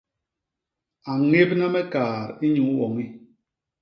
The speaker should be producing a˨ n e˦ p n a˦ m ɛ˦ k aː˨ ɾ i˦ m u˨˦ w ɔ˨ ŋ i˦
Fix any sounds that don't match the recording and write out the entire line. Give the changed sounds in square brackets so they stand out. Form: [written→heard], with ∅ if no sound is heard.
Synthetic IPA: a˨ [n→ŋ] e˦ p n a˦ m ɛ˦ k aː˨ ɾ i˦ [m→ɲ] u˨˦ w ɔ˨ ŋ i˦